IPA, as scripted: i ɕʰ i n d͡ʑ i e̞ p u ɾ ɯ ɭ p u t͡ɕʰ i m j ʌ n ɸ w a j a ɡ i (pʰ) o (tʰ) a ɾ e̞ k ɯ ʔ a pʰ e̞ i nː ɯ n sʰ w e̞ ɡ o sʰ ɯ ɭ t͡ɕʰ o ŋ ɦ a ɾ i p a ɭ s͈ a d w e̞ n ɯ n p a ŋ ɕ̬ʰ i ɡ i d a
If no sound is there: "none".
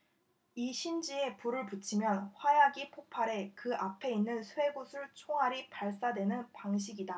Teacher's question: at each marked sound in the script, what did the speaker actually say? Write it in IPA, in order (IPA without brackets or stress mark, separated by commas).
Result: pʰ, pʰ